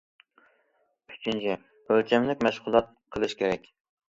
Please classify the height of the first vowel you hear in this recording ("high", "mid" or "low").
high